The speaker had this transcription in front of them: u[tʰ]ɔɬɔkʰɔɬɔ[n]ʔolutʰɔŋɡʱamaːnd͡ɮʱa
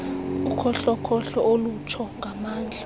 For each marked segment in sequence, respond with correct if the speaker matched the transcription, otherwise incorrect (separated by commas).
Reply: incorrect, incorrect